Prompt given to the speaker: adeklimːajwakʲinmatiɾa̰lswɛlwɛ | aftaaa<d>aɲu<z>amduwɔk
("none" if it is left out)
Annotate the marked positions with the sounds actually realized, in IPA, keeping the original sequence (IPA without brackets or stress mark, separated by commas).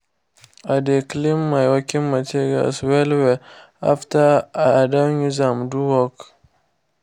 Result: d, z